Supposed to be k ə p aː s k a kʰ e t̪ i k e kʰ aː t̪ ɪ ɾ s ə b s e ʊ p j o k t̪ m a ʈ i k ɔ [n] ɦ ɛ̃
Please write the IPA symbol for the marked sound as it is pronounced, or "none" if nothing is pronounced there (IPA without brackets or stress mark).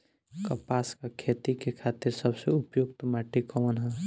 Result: n